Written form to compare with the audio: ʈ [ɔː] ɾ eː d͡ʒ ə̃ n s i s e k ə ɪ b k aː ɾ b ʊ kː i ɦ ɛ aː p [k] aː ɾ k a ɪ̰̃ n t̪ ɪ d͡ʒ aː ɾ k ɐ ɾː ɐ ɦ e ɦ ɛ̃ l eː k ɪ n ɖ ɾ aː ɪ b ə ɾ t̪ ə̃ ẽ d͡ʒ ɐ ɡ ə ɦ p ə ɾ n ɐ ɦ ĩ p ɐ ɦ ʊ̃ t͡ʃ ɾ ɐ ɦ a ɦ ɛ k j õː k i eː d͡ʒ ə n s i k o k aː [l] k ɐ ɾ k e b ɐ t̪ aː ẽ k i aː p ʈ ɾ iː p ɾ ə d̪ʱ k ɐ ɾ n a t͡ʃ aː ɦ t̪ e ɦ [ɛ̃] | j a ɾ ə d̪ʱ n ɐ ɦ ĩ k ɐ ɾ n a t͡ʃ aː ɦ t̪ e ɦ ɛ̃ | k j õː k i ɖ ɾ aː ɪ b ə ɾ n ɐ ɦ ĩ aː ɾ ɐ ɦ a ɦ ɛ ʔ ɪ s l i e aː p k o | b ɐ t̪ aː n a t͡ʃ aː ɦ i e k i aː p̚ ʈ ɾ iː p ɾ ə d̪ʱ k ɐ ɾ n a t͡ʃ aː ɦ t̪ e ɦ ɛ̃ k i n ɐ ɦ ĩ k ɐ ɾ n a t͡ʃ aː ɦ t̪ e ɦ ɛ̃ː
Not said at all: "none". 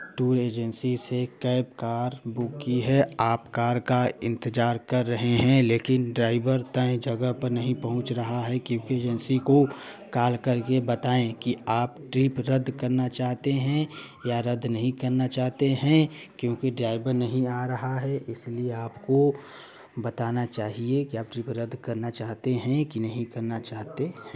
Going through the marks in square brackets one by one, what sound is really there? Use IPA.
uː, k, l, ɛ̃

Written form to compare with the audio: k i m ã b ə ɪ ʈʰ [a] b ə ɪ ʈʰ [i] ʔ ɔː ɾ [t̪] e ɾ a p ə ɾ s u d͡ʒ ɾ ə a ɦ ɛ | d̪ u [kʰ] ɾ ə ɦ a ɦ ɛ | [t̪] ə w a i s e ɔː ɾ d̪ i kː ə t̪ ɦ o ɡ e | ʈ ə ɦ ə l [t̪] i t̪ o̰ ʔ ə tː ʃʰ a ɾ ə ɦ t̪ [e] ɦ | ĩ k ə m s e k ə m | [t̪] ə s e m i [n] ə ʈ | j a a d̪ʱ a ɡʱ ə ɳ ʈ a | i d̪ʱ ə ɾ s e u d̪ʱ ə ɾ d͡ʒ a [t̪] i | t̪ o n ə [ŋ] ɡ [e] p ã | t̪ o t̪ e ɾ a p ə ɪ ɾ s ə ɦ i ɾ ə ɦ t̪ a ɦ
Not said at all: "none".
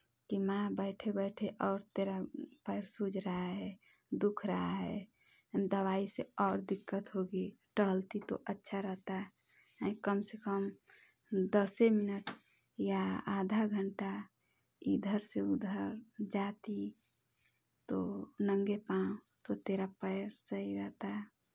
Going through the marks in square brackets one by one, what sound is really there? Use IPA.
e, e, t̪, kʰ, d̪, t̪, a, d̪, n, t̪, ŋ, e

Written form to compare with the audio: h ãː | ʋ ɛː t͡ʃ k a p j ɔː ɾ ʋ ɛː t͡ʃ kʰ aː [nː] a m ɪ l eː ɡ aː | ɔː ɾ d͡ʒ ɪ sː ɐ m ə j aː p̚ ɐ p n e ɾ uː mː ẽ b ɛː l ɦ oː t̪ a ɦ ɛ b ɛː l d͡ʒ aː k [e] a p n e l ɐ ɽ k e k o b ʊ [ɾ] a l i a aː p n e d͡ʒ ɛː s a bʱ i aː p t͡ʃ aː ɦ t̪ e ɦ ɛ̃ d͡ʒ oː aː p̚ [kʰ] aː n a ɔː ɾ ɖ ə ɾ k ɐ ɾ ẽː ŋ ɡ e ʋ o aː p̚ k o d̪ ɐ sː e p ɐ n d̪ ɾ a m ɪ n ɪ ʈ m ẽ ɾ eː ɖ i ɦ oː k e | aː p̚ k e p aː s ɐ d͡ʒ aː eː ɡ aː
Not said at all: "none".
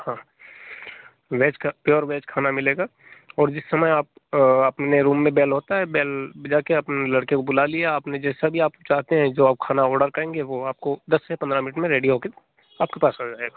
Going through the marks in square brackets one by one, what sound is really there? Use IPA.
n, e, l, kʰ

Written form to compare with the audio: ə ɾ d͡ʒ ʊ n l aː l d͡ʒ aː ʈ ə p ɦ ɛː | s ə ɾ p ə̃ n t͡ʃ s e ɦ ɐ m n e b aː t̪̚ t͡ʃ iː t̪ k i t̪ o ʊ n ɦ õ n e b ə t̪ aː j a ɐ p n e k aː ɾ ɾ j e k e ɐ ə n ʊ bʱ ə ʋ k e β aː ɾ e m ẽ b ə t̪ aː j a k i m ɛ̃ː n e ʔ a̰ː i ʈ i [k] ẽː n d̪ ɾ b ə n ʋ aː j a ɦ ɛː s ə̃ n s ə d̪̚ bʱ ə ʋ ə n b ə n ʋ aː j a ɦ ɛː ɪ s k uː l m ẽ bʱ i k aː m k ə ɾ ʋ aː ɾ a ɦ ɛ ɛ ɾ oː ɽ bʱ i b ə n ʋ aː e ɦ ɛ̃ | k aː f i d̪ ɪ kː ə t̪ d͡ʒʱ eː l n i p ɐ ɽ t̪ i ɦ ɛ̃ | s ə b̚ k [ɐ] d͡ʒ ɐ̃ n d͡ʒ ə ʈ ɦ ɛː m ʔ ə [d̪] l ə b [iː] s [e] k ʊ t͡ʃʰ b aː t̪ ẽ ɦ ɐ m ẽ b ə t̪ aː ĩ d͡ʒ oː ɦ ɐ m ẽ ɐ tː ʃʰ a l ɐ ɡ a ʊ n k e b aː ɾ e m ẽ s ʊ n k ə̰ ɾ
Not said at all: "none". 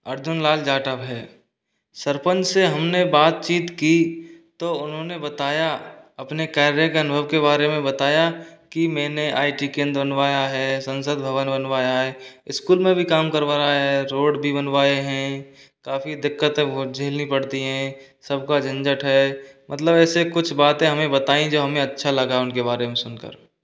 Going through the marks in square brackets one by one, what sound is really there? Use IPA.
k, a, t̪, ɛː, e

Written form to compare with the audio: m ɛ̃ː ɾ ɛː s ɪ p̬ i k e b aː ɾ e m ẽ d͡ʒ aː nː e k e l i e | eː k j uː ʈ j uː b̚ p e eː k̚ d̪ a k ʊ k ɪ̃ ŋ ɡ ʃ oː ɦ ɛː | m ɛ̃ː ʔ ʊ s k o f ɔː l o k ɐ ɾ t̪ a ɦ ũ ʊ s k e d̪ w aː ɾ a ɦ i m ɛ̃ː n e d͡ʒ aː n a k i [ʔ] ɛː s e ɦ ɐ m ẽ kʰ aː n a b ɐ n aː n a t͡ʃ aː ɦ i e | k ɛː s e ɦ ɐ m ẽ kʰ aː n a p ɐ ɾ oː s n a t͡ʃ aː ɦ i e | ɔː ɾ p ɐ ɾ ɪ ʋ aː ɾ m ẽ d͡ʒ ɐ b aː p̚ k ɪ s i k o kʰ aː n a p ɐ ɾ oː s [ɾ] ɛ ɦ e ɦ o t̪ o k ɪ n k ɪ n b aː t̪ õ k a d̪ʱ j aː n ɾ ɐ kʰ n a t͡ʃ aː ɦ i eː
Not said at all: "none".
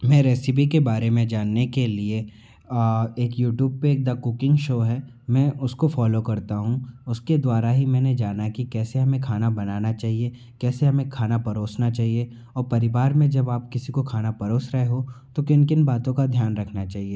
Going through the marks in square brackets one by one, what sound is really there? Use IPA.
k, ɾ

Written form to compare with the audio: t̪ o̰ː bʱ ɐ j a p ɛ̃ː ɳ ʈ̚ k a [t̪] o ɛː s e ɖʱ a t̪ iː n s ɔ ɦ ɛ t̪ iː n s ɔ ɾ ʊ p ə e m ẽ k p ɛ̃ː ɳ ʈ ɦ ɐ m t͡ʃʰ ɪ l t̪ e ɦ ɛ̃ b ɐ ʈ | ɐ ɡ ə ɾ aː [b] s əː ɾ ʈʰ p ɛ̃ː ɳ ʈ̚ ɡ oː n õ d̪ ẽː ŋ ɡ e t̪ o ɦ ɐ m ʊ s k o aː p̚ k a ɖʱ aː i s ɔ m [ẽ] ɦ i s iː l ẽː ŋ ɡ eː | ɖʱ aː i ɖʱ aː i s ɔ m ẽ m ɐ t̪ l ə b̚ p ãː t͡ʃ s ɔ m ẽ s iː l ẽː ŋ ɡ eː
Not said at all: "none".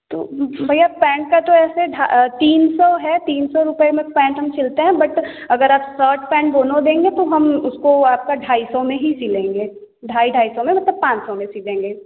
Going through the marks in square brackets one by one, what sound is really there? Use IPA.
t̪, p, ẽ

